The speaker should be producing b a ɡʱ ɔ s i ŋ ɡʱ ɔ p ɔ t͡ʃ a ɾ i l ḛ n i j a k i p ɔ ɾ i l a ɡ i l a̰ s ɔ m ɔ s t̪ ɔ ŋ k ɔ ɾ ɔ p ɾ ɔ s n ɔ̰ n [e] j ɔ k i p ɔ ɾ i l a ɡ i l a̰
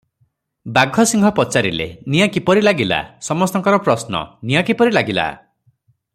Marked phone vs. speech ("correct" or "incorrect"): incorrect